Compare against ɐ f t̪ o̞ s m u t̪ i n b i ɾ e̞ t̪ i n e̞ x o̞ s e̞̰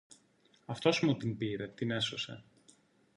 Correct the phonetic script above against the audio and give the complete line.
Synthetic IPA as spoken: ɐ f t̪ o̞ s m u t̪ i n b i ɾ e̞ t̪ i n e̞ s o̞ s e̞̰